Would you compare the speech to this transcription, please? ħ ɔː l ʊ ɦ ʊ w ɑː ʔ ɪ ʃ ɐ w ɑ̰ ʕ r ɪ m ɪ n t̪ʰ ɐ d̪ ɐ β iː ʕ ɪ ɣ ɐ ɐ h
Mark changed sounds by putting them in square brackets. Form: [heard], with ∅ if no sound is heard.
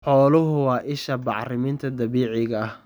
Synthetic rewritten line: ħ ɔː l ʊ ɦ ʊ w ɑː ʔ ɪ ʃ ɐ [b] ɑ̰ ʕ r ɪ m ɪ n t̪ʰ ɐ d̪ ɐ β iː ʕ ɪ ɣ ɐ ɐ h